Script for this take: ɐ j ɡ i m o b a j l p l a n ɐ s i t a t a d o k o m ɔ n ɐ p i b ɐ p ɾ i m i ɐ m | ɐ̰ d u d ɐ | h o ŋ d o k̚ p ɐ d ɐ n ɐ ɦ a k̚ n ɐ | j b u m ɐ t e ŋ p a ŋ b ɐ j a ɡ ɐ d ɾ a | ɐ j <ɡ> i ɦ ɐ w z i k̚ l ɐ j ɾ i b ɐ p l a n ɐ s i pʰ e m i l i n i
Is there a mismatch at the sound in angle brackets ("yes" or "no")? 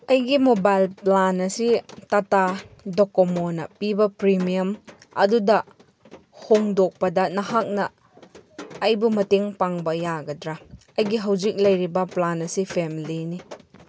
no